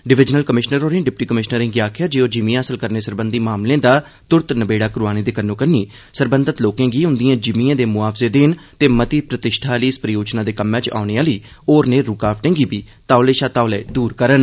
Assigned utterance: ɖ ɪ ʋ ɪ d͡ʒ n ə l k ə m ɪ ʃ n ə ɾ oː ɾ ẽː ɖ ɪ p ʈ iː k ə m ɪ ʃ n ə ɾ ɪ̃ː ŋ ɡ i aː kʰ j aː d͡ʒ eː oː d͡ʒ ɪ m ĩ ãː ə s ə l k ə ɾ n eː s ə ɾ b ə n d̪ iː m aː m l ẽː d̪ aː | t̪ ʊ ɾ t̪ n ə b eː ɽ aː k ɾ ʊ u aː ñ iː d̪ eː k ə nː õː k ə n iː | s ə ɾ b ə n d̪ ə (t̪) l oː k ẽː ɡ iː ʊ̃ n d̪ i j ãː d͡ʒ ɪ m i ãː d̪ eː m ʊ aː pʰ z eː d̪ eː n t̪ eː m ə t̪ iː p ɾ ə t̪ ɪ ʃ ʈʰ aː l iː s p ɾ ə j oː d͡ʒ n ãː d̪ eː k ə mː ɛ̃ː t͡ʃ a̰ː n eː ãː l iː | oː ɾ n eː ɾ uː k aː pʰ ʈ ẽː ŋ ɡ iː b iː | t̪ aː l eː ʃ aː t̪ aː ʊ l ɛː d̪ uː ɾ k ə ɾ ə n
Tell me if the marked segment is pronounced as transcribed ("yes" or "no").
yes